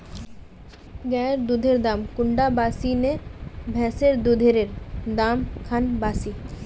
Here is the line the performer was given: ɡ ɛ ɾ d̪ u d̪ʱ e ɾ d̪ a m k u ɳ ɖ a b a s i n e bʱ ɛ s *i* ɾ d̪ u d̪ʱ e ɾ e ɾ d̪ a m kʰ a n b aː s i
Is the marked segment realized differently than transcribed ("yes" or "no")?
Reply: yes